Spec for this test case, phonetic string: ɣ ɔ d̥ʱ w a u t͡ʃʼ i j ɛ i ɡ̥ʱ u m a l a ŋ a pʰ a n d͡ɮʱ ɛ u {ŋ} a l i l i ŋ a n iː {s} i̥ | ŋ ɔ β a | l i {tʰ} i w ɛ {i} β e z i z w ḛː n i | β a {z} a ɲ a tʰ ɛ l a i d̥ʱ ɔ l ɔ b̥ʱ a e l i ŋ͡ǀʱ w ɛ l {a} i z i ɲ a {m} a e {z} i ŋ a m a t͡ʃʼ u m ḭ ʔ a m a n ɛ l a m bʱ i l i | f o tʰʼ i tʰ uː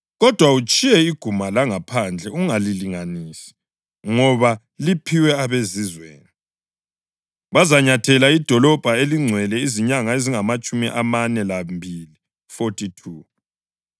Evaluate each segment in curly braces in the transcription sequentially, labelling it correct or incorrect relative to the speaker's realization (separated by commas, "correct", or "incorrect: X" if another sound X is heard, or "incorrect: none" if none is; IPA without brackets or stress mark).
correct, correct, incorrect: pʰ, incorrect: a, correct, incorrect: ɛ, incorrect: ŋ, correct